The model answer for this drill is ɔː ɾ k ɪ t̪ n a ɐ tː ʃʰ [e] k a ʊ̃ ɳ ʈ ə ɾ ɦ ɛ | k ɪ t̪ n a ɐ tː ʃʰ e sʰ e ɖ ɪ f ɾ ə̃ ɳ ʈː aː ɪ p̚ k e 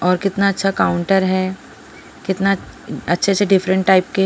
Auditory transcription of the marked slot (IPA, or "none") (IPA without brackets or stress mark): a